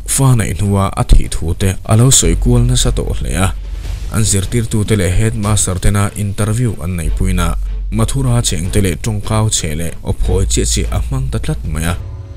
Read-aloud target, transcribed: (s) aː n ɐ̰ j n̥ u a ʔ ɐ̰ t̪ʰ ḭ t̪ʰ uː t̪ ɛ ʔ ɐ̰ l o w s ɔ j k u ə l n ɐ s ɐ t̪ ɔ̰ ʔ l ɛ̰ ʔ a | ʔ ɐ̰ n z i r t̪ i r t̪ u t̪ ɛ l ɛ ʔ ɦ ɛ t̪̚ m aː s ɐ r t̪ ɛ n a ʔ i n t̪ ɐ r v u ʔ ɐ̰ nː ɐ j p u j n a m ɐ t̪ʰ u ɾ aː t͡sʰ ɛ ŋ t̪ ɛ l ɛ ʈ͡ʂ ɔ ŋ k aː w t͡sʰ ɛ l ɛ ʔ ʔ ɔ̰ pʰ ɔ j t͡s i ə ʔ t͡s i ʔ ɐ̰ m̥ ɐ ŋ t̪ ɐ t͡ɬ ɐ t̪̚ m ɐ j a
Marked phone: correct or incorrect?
incorrect: f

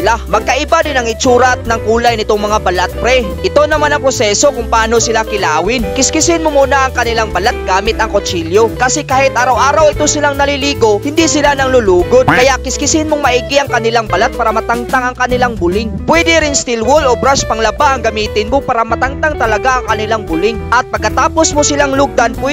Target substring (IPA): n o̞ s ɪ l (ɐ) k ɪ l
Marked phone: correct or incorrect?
incorrect: a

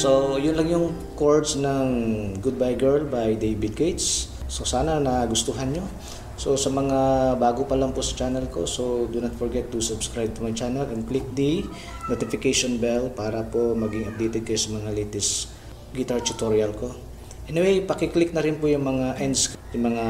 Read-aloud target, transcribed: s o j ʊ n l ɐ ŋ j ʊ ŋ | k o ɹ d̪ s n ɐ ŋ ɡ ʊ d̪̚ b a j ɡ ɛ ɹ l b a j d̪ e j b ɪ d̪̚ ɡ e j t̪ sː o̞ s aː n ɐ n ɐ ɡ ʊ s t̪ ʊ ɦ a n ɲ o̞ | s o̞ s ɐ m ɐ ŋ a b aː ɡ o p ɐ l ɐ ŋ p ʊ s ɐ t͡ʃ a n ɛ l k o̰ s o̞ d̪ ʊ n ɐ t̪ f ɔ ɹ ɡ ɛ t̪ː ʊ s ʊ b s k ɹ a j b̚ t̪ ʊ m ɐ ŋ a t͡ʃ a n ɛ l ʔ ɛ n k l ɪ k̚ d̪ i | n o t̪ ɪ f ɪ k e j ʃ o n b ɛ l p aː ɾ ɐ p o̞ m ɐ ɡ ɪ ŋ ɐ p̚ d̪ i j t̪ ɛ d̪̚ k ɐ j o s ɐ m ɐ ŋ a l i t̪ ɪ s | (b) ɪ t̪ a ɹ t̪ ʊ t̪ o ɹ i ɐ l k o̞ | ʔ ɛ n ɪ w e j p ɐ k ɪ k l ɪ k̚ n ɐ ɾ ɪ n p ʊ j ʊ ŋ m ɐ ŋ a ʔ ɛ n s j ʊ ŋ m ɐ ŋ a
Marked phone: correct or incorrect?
incorrect: ɡ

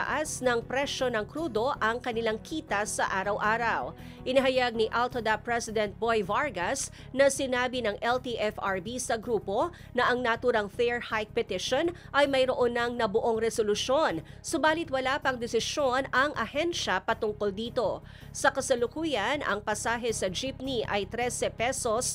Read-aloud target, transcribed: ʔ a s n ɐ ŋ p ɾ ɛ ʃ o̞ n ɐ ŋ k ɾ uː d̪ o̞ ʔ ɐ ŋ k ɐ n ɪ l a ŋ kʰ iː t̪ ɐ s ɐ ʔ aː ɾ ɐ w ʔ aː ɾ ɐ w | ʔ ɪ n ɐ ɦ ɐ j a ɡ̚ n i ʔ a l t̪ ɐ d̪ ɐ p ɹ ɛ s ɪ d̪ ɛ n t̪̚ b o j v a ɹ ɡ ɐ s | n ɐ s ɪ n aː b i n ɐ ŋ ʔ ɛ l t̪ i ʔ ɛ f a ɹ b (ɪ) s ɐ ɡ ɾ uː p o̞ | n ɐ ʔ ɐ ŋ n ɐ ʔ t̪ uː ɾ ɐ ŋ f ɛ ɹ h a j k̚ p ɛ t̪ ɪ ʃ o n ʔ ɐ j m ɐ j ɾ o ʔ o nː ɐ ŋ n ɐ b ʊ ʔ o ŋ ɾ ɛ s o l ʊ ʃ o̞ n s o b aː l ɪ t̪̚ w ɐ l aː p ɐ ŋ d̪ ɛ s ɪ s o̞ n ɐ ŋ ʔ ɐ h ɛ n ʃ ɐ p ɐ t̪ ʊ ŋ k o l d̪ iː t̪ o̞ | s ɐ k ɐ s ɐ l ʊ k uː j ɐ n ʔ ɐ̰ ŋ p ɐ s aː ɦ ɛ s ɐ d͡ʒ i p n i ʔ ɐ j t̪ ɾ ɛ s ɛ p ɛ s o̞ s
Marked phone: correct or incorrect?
incorrect: i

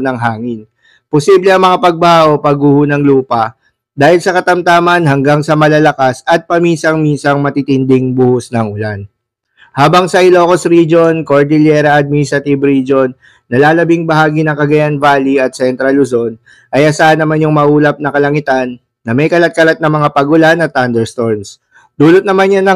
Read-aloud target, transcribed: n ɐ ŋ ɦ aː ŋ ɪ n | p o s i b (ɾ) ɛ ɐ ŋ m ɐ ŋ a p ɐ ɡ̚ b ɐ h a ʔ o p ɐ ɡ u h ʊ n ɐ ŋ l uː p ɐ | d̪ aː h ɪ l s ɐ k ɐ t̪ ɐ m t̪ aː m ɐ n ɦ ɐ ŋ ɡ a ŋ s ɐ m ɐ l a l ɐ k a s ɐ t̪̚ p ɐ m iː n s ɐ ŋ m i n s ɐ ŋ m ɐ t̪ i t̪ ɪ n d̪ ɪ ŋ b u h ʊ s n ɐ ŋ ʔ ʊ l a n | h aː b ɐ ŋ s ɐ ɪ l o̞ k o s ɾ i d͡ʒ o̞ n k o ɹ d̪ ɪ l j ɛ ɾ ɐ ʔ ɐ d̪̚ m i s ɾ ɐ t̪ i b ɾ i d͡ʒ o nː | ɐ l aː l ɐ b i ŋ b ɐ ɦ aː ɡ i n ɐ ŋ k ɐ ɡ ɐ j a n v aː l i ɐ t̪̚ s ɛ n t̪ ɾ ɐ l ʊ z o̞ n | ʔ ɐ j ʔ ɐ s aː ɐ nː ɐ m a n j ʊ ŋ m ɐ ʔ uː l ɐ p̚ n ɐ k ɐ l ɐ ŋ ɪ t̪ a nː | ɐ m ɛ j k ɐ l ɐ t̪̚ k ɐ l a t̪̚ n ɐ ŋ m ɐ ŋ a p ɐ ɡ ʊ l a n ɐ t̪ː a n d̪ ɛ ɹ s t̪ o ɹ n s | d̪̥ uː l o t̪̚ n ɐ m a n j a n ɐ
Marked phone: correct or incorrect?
incorrect: l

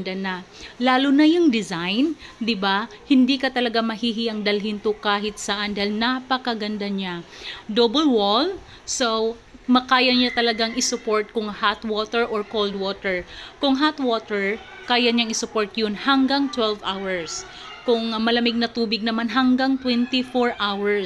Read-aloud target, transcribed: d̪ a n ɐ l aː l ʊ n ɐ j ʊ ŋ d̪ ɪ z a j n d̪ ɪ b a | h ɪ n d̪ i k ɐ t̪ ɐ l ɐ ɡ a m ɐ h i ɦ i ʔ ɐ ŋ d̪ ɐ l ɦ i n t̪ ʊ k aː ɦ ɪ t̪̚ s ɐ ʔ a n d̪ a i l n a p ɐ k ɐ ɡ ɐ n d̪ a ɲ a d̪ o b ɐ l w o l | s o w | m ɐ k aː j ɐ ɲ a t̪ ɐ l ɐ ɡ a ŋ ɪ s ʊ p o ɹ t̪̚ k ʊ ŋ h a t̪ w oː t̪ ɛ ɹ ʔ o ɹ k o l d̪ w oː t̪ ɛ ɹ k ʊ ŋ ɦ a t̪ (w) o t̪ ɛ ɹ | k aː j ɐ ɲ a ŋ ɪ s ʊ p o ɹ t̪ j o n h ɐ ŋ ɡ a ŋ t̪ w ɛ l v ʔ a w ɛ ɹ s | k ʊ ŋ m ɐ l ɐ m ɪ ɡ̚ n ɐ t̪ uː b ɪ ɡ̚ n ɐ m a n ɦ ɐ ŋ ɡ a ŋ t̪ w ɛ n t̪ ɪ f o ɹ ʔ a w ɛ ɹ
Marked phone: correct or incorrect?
correct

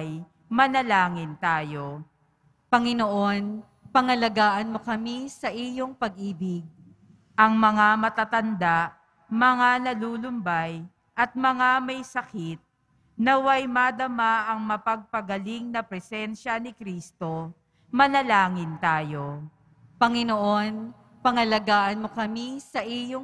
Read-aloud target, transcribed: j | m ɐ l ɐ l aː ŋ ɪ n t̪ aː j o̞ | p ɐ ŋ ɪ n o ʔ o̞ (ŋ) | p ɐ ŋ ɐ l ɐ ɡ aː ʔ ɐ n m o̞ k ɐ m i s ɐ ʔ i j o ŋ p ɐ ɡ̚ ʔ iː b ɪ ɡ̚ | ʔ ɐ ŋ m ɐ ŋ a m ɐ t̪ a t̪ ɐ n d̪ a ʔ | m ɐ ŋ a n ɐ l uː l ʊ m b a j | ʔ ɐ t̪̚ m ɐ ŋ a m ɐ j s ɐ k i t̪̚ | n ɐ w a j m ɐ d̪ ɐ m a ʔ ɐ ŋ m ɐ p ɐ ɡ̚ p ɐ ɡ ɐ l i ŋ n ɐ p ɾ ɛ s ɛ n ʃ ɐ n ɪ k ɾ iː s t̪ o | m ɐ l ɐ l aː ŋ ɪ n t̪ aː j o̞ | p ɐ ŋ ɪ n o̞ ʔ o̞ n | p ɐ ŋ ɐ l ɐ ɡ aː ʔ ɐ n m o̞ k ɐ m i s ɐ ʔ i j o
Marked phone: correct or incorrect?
incorrect: n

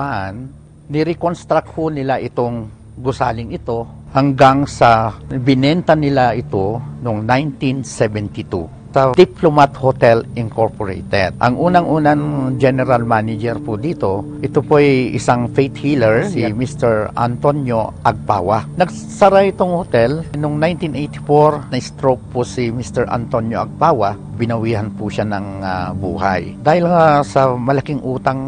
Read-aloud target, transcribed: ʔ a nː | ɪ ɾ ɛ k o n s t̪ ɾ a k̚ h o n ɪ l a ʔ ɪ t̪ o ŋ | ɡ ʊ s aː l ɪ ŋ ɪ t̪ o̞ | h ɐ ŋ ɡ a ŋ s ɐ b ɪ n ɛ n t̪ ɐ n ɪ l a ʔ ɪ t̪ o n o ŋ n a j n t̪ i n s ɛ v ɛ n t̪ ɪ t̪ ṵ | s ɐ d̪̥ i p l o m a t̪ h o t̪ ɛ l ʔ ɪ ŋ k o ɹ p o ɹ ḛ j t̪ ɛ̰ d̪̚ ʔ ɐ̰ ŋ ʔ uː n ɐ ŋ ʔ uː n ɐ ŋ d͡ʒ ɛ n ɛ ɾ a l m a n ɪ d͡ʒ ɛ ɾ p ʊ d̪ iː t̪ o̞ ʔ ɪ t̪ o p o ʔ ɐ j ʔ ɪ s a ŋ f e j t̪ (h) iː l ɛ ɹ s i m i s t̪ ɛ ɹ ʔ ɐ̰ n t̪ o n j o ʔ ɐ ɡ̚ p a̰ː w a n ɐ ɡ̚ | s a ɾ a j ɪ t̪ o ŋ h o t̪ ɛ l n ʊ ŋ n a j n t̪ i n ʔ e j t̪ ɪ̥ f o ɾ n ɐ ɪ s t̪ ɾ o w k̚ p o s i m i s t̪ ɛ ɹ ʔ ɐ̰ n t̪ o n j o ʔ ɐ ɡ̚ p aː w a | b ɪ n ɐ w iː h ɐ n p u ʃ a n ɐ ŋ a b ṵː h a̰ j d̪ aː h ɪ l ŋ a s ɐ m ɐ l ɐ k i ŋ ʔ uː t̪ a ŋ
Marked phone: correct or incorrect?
correct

